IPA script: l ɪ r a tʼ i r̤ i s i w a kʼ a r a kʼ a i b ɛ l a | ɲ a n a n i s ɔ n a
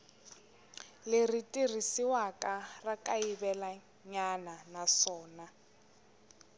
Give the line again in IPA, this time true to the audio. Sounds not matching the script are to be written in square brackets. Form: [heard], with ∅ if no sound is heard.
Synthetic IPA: l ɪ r [i] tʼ i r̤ i s i w a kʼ a r a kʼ a i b ɛ l a | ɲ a n a n [a] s [ɔː] n a